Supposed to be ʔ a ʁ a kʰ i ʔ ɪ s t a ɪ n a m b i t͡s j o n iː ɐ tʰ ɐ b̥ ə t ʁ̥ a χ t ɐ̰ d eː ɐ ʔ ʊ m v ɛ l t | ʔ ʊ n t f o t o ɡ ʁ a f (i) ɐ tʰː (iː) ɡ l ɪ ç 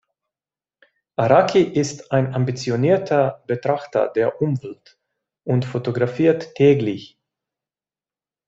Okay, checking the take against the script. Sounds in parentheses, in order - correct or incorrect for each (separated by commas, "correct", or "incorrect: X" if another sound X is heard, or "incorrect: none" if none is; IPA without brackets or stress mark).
incorrect: iː, incorrect: ɛː